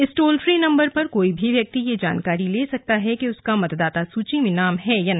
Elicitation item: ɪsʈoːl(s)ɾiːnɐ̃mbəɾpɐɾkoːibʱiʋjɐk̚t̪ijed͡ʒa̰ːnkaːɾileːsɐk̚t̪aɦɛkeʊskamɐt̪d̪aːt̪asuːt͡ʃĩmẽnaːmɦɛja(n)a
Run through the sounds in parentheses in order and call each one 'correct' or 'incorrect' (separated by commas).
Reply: incorrect, correct